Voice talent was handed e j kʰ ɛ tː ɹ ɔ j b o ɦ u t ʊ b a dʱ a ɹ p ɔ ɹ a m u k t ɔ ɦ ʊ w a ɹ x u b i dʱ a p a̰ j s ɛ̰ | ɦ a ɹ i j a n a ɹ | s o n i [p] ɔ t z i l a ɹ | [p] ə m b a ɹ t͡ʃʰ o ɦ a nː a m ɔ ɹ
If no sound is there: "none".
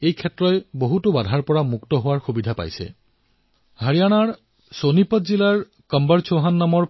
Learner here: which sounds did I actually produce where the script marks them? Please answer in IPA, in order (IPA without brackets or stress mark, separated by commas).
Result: p, k